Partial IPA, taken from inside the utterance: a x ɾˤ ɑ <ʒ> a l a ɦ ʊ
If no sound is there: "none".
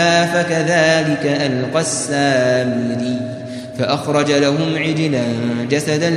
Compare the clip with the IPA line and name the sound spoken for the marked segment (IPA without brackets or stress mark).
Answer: d͡ʒ